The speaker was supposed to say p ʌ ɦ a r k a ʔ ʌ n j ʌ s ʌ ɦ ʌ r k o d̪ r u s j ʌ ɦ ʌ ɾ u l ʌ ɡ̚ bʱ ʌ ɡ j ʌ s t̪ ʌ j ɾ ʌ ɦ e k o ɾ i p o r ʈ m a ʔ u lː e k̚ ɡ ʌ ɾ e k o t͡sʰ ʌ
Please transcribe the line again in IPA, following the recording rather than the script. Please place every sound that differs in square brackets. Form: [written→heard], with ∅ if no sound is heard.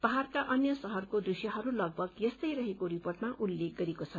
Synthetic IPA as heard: p ʌ ɦ a r k a ʔ ʌ n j ʌ s ʌ ɦ ʌ r k o d̪ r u s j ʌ ɦ ʌ ɾ u l ʌ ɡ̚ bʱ ʌ ɡ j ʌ s t̪ ʌ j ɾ ʌ ɦ e k o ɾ i p o r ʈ m a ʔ u lː e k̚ ɡ ʌ ɾ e k o t͡sʰ ʌ

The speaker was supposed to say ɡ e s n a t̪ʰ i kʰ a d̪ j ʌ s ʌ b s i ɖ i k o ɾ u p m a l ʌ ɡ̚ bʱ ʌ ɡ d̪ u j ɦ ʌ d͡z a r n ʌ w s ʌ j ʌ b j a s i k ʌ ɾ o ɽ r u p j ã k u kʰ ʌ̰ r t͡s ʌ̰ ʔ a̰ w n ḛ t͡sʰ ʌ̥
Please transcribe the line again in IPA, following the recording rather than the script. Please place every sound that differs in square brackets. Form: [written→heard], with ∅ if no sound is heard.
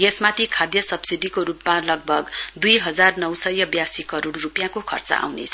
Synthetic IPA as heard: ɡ e s [n→m] a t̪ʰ i kʰ a d̪ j ʌ s ʌ b s i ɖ i k o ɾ u p m a l ʌ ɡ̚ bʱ ʌ ɡ d̪ u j ɦ ʌ d͡z a r n ʌ w s ʌ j ʌ b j a s i k ʌ ɾ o ɽ r u p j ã k [u→o] kʰ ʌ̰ r t͡s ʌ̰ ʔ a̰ w n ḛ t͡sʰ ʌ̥

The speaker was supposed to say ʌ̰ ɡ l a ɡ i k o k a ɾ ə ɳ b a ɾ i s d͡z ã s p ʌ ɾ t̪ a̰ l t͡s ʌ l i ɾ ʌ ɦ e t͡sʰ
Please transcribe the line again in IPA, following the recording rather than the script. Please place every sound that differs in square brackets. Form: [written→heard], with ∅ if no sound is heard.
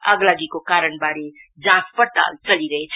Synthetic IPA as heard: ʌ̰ ɡ l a ɡ i k o k a ɾ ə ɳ b a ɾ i [s→∅] d͡z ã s p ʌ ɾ t̪ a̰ l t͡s ʌ l i ɾ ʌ ɦ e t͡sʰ

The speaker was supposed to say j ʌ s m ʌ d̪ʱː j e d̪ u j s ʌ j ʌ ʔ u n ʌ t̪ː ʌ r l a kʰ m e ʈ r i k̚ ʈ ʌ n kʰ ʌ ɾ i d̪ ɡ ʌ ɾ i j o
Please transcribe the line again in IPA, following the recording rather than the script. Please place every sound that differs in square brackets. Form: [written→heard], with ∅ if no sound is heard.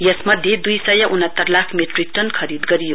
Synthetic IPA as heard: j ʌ s m ʌ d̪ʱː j e d̪ u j s ʌ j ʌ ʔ u n ʌ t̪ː ʌ r l a kʰ m e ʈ r i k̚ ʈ ʌ n kʰ ʌ ɾ i d̪ ɡ ʌ ɾ i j o

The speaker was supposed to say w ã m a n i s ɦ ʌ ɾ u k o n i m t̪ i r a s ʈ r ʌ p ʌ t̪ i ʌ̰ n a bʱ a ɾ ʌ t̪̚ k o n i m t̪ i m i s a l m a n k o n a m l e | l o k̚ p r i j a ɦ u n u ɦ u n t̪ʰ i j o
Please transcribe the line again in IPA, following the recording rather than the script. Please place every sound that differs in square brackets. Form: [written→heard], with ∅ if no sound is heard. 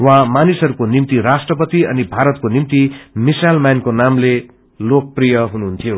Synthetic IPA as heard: w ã m a n i s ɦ ʌ ɾ u k o n i m t̪ i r a s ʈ r ʌ p ʌ t̪ i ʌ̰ n [a→i] bʱ a ɾ ʌ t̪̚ k o n i m t̪ i m i s a l m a n k o n a m l e | l o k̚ p r i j [a→ʌ] ɦ u n u ɦ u n t̪ʰ i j o

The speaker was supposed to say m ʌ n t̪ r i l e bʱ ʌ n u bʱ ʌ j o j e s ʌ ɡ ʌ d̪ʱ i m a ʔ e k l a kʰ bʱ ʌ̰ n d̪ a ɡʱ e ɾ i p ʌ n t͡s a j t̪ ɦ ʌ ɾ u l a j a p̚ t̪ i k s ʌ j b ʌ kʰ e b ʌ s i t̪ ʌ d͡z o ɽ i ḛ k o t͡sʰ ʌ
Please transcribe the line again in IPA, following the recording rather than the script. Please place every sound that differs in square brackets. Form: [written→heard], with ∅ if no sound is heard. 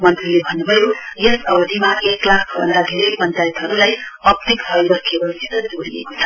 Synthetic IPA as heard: m ʌ n t̪ r i l e bʱ ʌ n u bʱ ʌ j o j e s ʌ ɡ ʌ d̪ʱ i m a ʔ e k l a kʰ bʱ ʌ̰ n d̪ a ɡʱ e ɾ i p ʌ n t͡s a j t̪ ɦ ʌ ɾ u l a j [a→ʌ] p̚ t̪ i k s ʌ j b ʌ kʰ e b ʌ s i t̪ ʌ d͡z o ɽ i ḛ k o t͡sʰ ʌ

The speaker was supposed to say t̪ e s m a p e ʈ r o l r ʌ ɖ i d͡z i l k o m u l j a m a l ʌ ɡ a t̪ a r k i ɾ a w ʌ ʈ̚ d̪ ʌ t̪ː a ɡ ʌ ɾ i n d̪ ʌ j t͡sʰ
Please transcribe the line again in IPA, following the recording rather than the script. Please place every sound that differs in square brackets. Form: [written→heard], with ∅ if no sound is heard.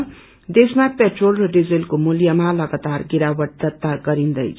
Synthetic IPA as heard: [t̪→d̪] e s m a p e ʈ r o l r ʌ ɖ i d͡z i l k o m u l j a m a l ʌ ɡ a t̪ a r [k→ɡ] i ɾ a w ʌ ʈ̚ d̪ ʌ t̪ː a ɡ ʌ ɾ i n d̪ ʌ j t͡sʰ

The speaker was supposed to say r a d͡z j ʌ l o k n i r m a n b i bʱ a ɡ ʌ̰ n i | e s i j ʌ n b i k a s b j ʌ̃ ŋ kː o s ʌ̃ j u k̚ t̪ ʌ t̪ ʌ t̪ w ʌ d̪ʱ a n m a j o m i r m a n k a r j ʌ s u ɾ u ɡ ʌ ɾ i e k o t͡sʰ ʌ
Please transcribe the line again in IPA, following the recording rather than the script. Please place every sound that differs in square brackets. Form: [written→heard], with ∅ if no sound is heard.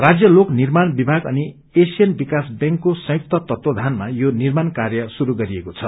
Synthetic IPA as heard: r a d͡z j ʌ l o k n i r m a n b i bʱ a ɡ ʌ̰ n i | e s i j ʌ n b i k a s b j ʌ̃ ŋ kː o s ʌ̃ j u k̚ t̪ ʌ t̪ ʌ t̪ w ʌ d̪ʱ a n m a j o [m→n] i r m a n k a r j ʌ s u ɾ u ɡ ʌ ɾ i e k o t͡sʰ ʌ

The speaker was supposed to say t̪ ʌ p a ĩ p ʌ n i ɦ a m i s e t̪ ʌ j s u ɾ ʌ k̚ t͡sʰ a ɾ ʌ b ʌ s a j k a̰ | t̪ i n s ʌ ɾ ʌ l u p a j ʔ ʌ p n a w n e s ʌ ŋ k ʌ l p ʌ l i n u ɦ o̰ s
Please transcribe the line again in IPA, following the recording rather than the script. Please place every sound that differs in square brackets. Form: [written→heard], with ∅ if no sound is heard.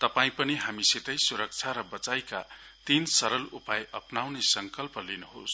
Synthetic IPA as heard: t̪ ʌ p a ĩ p ʌ n i ɦ a m i s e t̪ ʌ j s u ɾ ʌ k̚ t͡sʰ a ɾ ʌ b ʌ [s→t͡s] a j k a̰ | t̪ i n s ʌ ɾ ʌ l u p a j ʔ ʌ p n a w n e s ʌ ŋ k ʌ l p ʌ l i n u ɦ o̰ s

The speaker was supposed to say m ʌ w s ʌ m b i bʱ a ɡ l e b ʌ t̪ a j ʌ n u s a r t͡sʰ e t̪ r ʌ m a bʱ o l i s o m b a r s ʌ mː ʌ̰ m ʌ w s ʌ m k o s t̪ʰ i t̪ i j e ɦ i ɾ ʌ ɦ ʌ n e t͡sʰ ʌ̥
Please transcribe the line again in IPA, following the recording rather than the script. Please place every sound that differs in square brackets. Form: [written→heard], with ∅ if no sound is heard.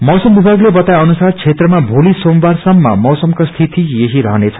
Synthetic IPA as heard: m ʌ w s ʌ m b i bʱ a ɡ l e b ʌ t̪ a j ʌ n u s a r t͡sʰ e t̪ r ʌ m a bʱ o l i s o m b a r s ʌ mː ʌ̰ m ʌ w s ʌ m k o s t̪ʰ i t̪ i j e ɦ i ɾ ʌ ɦ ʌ n e t͡sʰ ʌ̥

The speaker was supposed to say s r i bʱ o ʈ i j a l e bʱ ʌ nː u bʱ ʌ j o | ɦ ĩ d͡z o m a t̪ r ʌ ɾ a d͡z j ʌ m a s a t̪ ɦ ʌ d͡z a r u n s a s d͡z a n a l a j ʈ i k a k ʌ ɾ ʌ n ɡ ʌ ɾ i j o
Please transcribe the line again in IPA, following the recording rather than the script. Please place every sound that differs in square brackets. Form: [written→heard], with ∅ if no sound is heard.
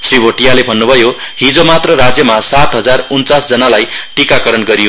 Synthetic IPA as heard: s r i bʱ o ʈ i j a l e bʱ ʌ nː u bʱ ʌ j o | ɦ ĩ d͡z o m a t̪ r ʌ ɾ a d͡z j ʌ m a s a t̪ ɦ ʌ d͡z a r u n [s→t͡s] a s d͡z [a→ʌ] n a l a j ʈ i k a k ʌ ɾ ʌ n ɡ ʌ ɾ i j o

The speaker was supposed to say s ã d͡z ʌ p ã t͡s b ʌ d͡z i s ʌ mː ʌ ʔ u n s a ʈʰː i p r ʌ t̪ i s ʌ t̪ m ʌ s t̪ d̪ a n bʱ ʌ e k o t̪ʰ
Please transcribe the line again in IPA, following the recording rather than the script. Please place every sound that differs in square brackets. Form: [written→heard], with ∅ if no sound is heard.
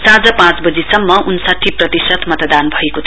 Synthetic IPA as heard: s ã d͡z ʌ p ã t͡s b ʌ d͡z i s ʌ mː ʌ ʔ u n s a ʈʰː i p r ʌ t̪ i s ʌ t̪ m ʌ [s→∅] t̪ d̪ a n bʱ ʌ e k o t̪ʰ

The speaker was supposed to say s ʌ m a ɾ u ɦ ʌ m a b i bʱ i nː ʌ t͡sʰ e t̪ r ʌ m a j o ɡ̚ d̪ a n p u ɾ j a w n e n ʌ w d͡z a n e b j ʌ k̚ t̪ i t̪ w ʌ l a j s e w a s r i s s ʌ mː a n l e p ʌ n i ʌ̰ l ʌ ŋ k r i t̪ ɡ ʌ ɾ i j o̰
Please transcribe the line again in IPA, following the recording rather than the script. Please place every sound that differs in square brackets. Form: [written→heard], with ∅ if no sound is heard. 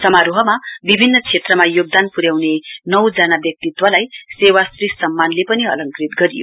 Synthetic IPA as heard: s ʌ m a ɾ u ɦ ʌ m a b i bʱ i nː ʌ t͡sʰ e t̪ r ʌ m a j o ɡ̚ d̪ a n p u ɾ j a w n e n ʌ w d͡z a n [e→a] b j ʌ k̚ t̪ i t̪ w ʌ l a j s e w a s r i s s ʌ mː a n l e p ʌ n i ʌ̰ l ʌ ŋ k r i t̪ ɡ ʌ ɾ i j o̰

